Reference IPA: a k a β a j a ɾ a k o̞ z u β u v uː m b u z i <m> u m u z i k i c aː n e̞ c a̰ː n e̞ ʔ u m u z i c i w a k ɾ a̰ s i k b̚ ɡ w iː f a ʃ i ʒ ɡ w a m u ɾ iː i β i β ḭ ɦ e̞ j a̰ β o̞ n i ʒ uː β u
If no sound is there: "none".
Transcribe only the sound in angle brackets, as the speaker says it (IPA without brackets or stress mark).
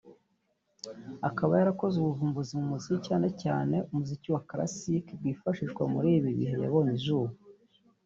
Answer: m